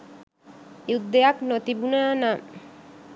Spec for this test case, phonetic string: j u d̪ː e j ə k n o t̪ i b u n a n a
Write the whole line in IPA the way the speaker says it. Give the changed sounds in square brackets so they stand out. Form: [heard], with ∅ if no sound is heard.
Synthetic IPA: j u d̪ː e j [a] k n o t̪ i b u n a n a

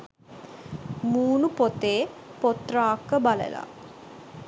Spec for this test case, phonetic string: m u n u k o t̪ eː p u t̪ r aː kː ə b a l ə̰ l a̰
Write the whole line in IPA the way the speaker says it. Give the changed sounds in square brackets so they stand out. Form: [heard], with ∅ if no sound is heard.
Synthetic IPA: m [uː] n u [p] o t̪ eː p [o] t̪ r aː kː ə b a l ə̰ l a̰

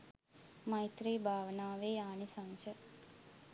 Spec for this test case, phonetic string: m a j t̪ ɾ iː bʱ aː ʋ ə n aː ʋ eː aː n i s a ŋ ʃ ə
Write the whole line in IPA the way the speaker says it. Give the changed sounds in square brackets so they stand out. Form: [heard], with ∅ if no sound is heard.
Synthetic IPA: m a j t̪ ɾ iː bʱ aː ʋ ə n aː ʋ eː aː n i s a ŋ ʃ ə

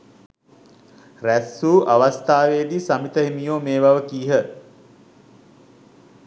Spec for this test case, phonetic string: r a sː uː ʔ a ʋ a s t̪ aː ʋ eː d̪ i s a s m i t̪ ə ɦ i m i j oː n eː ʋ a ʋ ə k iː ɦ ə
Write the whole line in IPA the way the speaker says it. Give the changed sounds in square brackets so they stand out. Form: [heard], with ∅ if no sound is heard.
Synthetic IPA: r [æ] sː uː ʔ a ʋ a s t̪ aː ʋ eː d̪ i s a [∅] m i t̪ ə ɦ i m i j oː [m] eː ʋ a ʋ ə k iː ɦ ə

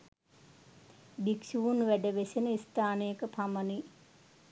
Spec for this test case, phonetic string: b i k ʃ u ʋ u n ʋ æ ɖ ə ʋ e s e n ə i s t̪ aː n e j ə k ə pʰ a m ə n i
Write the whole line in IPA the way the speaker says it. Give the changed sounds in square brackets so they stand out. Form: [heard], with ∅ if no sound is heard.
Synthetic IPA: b i k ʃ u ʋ u n ʋ æ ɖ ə ʋ e s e n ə i s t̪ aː n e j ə k ə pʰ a m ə n i

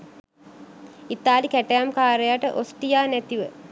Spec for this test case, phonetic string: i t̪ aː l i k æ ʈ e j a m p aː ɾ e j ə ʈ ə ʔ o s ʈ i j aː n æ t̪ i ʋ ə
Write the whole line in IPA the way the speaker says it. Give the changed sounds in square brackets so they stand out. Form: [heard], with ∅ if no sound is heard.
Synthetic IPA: i t̪ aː l i k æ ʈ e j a m [k] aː ɾ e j [a] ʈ ə ʔ o s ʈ i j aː n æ t̪ i ʋ ə

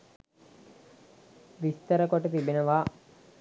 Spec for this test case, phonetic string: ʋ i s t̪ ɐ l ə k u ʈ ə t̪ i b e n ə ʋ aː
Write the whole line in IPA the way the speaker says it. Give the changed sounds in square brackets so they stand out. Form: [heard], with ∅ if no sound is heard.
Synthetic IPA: ʋ i s t̪ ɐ [ɾ] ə k [o] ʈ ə t̪ i b e n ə ʋ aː

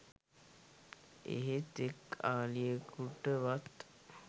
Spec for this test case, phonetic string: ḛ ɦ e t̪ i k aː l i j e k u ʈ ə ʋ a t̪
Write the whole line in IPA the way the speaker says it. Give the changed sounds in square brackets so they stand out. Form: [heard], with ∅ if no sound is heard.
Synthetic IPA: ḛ ɦ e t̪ [e] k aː l i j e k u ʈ ə ʋ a t̪

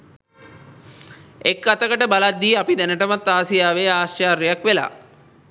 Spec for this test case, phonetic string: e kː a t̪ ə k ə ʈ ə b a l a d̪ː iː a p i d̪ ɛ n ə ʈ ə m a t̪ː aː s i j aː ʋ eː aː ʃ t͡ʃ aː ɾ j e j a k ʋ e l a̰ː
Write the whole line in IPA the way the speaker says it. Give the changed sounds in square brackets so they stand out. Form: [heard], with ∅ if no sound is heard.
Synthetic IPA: e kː a t̪ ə k ə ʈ ə b a l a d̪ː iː a p i d̪ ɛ n ə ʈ ə m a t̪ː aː s i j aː ʋ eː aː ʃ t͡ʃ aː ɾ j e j a k ʋ e l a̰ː

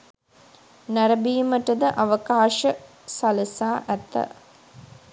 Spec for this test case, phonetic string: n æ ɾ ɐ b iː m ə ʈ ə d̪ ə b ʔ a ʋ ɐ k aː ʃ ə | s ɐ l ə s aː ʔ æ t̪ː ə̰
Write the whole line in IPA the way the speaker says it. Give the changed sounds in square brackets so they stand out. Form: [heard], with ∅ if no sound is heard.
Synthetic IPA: n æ ɾ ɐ b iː m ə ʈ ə d̪ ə [∅] ʔ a ʋ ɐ k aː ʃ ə | s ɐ l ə s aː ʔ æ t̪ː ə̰

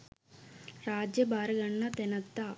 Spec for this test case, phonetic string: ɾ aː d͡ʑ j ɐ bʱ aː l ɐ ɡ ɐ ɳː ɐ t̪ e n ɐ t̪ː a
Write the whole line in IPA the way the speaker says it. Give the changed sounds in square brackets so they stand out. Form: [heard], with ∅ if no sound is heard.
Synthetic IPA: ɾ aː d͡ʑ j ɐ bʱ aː [ɾ] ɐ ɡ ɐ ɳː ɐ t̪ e n ɐ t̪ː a

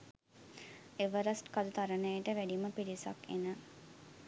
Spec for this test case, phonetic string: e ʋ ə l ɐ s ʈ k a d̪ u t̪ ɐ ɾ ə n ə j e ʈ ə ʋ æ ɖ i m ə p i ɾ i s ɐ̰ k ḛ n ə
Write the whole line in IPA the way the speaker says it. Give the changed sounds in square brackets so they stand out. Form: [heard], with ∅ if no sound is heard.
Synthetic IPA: e ʋ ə [ɾ] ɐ s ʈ k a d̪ u t̪ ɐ ɾ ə n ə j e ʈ ə ʋ æ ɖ i m ə p i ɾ i s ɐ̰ k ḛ n ə

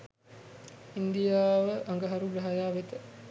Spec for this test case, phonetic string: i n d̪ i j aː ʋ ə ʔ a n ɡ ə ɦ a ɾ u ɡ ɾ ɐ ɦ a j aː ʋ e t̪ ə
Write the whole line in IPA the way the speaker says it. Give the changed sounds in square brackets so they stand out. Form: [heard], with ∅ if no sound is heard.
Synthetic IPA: i n d̪ i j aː ʋ ə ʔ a [ŋ] ɡ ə ɦ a ɾ u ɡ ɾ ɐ ɦ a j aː ʋ e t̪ ə

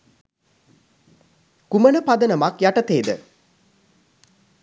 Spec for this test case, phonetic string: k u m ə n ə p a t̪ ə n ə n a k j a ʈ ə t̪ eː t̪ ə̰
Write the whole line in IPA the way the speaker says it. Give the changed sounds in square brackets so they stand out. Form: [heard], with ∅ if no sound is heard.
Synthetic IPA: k u m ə n ə p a [d̪] ə n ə [m] a k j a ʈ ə t̪ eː [d̪] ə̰

